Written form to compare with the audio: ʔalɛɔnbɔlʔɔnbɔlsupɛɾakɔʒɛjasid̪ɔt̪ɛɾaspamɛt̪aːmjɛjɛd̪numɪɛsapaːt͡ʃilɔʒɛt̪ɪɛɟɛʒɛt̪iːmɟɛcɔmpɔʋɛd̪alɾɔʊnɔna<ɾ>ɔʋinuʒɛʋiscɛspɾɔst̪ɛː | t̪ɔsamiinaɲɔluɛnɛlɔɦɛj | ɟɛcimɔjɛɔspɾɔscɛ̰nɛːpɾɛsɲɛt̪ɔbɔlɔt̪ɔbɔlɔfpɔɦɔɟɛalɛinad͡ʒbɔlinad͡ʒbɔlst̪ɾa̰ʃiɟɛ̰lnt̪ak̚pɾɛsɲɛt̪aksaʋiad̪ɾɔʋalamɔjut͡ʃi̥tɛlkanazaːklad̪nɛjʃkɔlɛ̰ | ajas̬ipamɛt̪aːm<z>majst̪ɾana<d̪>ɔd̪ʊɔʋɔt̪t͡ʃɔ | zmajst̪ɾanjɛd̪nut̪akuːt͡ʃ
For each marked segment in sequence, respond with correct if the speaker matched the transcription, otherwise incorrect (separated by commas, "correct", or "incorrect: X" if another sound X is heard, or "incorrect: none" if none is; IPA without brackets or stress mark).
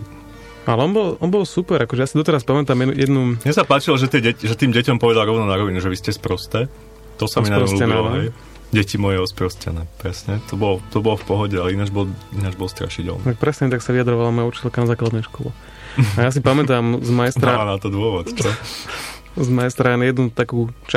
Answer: correct, correct, incorrect: t̪